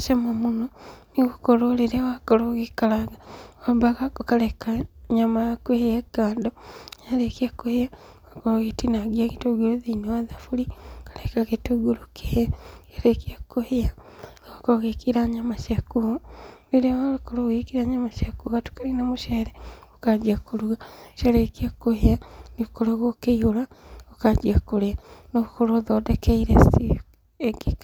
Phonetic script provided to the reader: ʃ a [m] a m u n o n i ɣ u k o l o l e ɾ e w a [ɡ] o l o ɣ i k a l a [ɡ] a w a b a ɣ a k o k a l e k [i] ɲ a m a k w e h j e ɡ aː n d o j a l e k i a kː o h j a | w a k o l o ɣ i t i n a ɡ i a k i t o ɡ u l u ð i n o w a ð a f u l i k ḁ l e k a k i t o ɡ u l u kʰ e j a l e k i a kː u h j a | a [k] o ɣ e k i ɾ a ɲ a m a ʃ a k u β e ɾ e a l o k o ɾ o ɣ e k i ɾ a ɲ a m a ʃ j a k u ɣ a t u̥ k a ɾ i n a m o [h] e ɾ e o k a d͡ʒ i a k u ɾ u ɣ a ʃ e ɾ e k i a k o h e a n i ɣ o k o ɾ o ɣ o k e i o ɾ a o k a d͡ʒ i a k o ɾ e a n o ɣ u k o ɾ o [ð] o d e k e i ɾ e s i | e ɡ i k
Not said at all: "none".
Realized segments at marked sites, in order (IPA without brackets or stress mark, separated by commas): m, k, ɡ, a, k, ʃ, ð